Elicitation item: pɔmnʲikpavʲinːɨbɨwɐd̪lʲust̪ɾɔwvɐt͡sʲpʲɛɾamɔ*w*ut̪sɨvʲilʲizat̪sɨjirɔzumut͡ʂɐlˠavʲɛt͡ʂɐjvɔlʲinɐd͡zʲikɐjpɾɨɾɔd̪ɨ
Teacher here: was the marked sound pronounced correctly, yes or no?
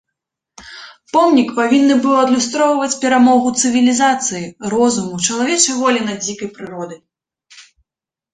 no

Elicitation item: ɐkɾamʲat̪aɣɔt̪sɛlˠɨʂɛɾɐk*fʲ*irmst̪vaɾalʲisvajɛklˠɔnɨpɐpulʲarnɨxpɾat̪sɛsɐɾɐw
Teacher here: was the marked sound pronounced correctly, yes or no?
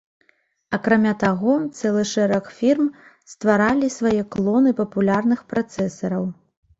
yes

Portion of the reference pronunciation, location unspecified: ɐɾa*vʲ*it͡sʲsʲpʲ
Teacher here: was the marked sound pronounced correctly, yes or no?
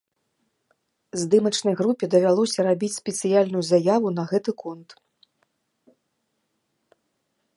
no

